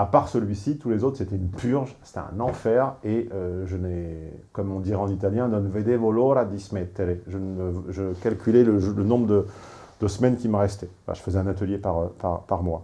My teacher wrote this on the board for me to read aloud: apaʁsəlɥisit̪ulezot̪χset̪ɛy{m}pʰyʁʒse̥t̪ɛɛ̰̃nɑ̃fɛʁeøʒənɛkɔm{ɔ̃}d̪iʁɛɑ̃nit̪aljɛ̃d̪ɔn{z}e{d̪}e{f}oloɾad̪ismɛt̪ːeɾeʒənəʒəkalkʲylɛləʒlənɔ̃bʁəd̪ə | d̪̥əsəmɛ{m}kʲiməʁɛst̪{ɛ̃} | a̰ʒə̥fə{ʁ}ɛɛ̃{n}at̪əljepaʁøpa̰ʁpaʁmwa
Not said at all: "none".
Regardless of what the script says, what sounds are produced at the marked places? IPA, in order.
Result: n, ɔ̃, v, d̪, v, n, ɛ, z, n

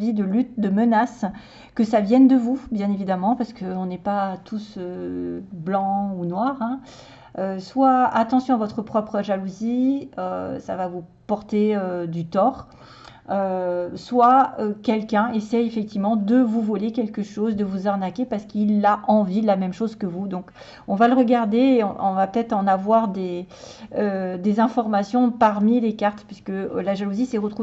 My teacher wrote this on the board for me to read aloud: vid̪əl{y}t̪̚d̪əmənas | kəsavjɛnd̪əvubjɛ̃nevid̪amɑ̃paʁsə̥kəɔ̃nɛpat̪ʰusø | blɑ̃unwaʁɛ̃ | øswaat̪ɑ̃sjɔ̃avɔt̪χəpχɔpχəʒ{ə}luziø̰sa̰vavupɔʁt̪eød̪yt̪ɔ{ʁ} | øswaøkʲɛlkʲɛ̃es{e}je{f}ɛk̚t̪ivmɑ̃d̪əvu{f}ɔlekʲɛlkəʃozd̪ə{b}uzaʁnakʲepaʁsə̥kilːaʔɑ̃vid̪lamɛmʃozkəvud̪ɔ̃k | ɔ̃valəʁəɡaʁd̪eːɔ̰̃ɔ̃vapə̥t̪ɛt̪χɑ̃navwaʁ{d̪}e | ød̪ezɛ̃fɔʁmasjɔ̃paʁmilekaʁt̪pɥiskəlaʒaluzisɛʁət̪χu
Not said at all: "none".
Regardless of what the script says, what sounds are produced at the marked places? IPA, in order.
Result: y, a, ʁ, ɛ, f, v, v, d̪

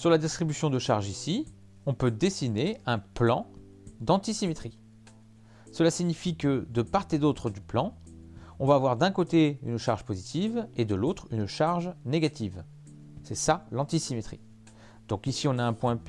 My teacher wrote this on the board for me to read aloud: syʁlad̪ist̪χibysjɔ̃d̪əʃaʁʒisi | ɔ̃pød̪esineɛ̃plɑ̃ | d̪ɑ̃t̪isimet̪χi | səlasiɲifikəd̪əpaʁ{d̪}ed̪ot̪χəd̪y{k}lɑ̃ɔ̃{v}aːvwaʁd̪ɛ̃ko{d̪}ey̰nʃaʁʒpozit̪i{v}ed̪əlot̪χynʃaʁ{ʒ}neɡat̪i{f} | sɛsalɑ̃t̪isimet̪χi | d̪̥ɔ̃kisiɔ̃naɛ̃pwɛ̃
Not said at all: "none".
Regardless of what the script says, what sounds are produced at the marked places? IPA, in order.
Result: t̪, p, v, t̪, v, ʒ, v

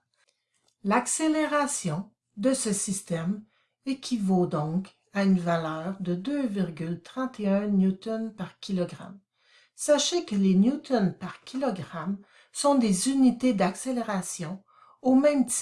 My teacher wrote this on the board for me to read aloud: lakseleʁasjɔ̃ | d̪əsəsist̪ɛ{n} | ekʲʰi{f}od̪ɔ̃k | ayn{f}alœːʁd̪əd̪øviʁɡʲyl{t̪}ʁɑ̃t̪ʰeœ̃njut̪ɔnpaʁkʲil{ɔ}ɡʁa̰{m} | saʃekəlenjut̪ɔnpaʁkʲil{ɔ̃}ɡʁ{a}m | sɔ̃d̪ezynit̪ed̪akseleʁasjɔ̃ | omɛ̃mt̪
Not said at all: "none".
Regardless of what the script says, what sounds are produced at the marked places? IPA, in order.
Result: m, v, v, t̪, ɔ, m, ɔ, a

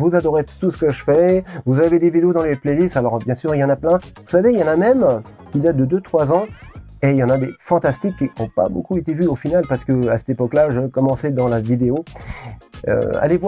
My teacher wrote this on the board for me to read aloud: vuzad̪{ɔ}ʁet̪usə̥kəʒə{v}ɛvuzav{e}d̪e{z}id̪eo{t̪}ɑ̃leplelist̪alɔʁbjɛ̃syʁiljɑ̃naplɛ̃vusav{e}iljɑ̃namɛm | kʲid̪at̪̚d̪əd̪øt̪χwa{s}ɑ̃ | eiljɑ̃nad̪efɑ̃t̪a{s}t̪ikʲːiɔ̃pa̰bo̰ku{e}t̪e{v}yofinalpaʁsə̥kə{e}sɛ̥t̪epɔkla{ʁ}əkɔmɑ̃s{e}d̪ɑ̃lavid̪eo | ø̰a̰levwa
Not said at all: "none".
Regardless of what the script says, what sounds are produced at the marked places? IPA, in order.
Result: ɔ, f, e, v, d̪, e, z, s, e, v, a, ʒ, ɛ

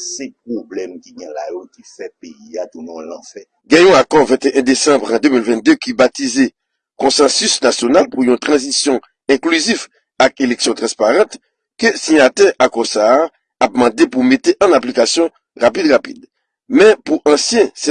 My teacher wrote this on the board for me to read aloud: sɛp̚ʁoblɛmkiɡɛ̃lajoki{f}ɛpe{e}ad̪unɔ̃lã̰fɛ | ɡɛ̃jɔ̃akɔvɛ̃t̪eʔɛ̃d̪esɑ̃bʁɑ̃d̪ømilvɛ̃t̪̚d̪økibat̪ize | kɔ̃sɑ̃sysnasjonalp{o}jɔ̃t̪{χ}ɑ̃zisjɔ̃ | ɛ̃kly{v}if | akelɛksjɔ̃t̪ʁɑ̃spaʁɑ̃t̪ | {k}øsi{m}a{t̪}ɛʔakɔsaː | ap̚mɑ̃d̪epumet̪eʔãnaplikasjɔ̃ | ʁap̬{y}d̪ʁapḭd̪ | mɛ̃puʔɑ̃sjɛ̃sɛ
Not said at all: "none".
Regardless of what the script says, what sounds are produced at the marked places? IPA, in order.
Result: f, i, u, ʁ, z, k, ɲ, t̪, i

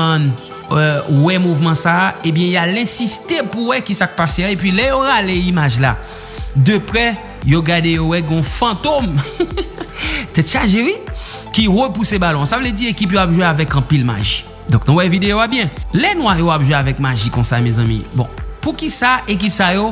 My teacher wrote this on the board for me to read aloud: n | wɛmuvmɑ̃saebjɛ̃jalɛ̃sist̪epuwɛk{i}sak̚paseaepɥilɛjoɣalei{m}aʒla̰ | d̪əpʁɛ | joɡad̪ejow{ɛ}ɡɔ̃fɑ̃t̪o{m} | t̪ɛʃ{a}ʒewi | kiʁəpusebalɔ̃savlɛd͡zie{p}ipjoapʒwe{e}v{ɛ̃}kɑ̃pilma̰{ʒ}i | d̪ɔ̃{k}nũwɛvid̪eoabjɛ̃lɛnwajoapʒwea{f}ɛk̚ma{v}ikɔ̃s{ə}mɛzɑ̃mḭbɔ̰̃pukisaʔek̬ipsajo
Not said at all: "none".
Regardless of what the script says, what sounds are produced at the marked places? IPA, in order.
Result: i, m, ɛ, m, a, k, a, ɛ, ʒ, k, v, ʒ, a

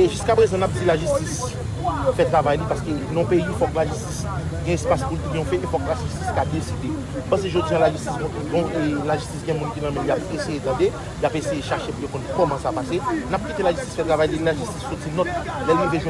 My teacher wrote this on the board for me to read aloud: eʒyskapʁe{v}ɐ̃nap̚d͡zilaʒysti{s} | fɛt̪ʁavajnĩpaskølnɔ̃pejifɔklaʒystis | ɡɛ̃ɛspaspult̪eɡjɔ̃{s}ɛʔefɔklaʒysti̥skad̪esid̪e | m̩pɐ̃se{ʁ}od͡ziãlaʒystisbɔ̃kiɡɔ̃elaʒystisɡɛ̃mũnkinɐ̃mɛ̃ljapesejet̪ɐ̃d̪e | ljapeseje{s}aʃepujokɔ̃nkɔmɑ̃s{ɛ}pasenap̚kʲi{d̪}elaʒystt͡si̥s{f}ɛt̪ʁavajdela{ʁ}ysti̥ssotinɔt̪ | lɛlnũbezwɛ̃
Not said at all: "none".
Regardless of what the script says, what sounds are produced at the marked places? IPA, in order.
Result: z, s, f, ʒ, ʃ, a, t̪, f, ʒ

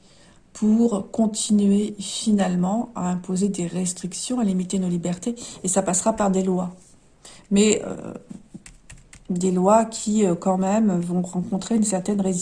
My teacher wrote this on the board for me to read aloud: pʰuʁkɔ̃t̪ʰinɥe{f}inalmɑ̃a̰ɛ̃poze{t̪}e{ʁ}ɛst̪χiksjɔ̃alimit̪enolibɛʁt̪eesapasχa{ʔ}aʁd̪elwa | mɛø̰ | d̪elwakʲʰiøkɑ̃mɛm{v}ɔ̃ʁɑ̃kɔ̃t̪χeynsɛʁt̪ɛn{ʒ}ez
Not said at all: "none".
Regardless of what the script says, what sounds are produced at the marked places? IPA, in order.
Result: f, d̪, ʁ, p, v, ʁ

